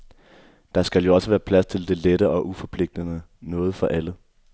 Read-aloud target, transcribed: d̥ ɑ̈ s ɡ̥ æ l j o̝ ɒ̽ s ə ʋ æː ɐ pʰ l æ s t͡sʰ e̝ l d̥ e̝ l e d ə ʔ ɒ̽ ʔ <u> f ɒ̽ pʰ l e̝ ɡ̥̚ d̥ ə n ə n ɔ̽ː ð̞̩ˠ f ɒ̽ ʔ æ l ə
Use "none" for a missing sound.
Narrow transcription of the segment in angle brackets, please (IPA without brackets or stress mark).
u